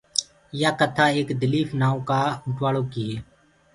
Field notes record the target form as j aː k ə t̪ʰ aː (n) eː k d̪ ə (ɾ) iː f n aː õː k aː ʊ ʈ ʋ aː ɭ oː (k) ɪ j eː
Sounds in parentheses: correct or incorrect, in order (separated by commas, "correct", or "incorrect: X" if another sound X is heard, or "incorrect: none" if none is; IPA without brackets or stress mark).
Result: incorrect: none, incorrect: l, correct